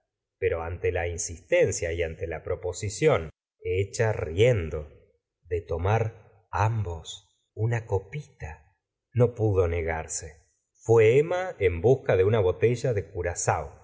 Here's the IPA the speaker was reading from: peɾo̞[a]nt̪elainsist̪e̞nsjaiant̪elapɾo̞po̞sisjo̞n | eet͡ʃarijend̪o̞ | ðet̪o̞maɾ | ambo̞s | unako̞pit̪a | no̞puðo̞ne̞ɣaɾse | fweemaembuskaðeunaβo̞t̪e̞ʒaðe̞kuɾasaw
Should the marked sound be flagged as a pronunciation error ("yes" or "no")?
no